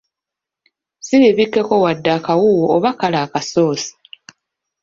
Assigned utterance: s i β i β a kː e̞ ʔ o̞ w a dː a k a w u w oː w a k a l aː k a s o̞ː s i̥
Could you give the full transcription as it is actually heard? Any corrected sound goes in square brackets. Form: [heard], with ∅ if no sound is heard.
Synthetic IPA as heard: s i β i β [i] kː e̞ [k] o̞ w a dː a k a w u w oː [β] a k a l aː k a s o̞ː s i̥

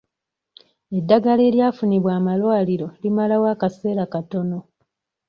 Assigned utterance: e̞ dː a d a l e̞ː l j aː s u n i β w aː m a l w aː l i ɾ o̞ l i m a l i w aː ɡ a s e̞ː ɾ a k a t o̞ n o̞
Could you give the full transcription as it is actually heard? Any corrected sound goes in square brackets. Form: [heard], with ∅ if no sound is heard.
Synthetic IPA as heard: e̞ dː a [ɡ] a l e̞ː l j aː [f] u n i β w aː m a l w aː l i ɾ o̞ l i m a l [a] w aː [k] a s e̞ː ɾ a k a t o̞ n o̞

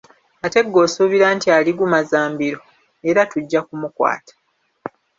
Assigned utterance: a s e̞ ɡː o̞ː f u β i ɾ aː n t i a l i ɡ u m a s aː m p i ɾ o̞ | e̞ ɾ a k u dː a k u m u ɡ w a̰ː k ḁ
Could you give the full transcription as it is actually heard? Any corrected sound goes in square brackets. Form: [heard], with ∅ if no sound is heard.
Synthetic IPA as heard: a [t] e̞ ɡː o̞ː [s] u β i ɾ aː n t i a l i ɡ u m a [z] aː m [b] i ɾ o̞ | e̞ ɾ a [t] u [ɟː] a k u m u [k] w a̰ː [t] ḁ

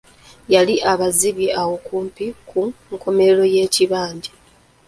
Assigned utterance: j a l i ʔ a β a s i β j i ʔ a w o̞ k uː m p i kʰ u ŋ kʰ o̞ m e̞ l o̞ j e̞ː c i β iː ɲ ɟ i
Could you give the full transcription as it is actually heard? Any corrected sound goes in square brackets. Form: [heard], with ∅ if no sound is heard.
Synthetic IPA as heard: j a l i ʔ a β a [z] i β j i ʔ a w o̞ k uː m p i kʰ u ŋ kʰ o̞ m e̞ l o̞ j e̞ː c i β [aː] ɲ ɟ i

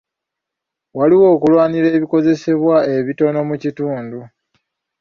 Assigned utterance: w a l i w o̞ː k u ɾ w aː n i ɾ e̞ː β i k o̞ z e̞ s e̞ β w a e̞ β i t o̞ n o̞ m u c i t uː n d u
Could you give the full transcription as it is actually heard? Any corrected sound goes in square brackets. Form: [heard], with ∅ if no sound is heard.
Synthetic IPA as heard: w a l i w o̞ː k u [l] w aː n i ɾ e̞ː β i k o̞ z e̞ s e̞ β w a e̞ β i t o̞ n o̞ m u c i t uː n d u

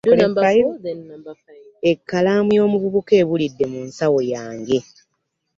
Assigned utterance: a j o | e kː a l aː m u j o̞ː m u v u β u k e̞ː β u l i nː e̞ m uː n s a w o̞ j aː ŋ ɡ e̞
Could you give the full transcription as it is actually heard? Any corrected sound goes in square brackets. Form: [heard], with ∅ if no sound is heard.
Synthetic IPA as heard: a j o | e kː a l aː m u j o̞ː m u [β] u β u k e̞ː β u l i [dː] e̞ m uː n s a w o̞ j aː ŋ ɡ e̞

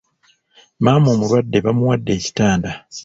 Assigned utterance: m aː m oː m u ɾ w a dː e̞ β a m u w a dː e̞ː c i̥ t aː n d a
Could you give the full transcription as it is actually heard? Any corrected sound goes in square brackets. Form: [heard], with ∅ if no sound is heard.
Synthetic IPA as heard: m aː m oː m u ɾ w a dː e̞ β a m u w a dː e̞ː c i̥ t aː n d a

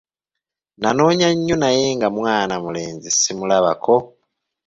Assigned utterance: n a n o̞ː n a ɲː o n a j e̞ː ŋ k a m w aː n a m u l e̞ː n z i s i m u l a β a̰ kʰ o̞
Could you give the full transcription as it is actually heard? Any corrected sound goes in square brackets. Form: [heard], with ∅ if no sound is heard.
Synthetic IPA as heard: n a n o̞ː [ɲ] a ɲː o n a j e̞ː ŋ [ɡ] a m w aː n a m u l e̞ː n z i s i m u l a β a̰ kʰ o̞

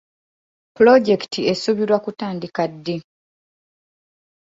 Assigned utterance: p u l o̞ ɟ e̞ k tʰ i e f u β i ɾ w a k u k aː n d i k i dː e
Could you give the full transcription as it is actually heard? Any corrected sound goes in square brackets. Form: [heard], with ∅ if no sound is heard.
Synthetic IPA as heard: p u l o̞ ɟ e̞ k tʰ i e [s] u β i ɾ w a k u [t] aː n d i k [a] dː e

